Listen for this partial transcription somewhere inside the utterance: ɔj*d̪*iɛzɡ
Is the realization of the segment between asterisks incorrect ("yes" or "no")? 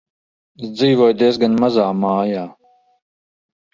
no